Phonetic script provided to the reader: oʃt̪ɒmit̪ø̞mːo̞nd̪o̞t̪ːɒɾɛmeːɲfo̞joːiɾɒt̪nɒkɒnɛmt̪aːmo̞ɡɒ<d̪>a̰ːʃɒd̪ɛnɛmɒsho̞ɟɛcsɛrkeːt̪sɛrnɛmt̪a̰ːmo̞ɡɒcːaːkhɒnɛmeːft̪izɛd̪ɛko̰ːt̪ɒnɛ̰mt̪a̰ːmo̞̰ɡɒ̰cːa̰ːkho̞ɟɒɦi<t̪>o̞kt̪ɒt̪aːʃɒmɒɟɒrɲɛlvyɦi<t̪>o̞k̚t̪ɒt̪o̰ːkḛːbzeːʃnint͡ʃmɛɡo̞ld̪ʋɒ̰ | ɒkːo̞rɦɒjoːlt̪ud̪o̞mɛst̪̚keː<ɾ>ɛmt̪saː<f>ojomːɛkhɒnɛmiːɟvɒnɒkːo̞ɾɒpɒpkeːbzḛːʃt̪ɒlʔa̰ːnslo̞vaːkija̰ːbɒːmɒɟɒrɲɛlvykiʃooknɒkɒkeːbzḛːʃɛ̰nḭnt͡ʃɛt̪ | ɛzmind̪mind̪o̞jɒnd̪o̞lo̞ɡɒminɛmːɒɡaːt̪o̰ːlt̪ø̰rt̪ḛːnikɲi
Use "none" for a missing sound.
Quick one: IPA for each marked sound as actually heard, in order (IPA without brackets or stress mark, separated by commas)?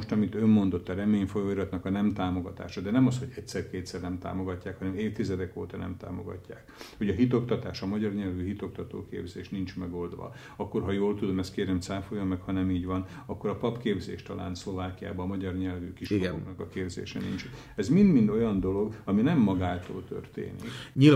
t̪, t̪, t̪, ɾ, f